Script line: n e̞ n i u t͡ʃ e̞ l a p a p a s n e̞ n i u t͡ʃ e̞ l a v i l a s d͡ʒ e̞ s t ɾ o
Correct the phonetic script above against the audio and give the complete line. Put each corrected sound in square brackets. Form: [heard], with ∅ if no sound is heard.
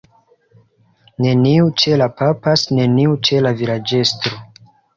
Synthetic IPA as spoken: n e̞ n i u t͡ʃ e̞ l a p a p a s n e̞ n i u t͡ʃ e̞ l a v i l a [∅] d͡ʒ e̞ s t ɾ o